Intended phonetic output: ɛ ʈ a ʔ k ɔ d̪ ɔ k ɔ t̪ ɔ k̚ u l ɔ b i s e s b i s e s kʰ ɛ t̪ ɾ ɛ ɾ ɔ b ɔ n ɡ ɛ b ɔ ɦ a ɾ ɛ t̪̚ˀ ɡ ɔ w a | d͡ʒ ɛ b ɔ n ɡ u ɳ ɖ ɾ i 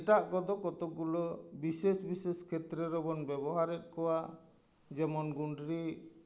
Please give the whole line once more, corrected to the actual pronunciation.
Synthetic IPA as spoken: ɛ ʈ a ʔ k ɔ d̪ ɔ k ɔ t̪ ɔ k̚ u l ɔ b i s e s b i s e s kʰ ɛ t̪ ɾ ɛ ɾ ɔ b ɔ n b ɛ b ɔ ɦ a ɾ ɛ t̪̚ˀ k ɔ w a | d͡ʒ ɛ m ɔ n ɡ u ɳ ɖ ɾ i